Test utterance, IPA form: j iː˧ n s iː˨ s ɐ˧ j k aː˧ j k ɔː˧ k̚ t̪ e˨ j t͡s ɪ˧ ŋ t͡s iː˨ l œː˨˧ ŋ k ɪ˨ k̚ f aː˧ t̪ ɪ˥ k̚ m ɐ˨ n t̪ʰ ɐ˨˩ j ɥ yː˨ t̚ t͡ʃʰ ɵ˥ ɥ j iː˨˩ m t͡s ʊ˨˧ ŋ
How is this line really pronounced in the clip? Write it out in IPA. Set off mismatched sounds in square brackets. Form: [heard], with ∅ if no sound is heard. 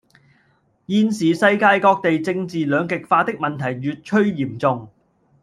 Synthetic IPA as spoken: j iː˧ n s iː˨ s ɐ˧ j k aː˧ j k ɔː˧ k̚ t̪ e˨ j t͡s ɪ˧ ŋ t͡s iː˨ l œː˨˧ ŋ k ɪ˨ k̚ f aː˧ t̪ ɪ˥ k̚ m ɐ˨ n t̪ʰ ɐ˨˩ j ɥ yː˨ t̚ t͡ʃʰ ɵ˥ ɥ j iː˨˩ m t͡s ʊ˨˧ ŋ